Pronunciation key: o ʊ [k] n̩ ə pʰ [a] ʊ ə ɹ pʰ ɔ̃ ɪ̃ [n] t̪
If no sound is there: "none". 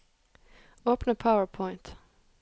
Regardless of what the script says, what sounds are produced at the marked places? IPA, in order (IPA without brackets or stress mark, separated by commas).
p, a, n